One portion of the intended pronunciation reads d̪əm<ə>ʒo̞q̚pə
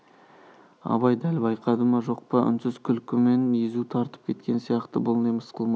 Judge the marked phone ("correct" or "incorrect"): incorrect